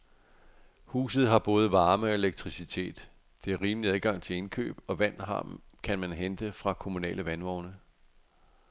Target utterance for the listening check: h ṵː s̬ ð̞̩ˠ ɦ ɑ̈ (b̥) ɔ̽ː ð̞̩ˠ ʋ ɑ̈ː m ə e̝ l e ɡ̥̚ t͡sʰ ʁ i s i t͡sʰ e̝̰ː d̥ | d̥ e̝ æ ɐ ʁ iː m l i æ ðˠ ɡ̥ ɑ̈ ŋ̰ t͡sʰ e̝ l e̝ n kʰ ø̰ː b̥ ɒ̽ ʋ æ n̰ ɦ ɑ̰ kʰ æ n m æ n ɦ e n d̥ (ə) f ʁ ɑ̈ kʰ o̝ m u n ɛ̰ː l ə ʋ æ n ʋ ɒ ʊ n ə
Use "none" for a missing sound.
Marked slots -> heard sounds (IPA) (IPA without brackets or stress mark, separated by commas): b̥, ə